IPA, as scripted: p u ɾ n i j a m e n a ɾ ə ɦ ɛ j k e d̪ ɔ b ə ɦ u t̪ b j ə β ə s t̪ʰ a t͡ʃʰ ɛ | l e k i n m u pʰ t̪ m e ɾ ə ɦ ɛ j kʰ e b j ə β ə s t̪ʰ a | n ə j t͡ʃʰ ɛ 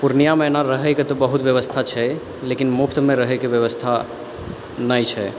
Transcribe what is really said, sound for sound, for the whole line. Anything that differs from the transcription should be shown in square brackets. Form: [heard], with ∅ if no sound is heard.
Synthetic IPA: p u ɾ n i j a m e n a ɾ ə ɦ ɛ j k e [t̪] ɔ b ə ɦ u t̪ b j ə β ə s t̪ʰ a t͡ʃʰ ɛ | l e k i n m u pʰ t̪ m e ɾ ə ɦ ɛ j [k] e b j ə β ə s t̪ʰ a | n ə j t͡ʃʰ ɛ